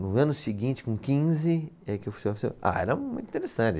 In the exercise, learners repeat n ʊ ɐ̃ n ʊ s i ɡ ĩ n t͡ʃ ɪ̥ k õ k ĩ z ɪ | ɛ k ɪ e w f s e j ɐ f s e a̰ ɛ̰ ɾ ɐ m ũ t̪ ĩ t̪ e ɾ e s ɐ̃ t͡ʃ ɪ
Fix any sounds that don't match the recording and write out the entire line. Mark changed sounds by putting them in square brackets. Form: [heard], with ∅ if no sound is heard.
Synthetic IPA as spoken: n ʊ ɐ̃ n ʊ s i ɡ ĩ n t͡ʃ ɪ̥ k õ k ĩ z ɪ | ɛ k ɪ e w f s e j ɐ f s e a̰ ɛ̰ ɾ ɐ m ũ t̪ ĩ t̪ e ɾ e s ɐ̃ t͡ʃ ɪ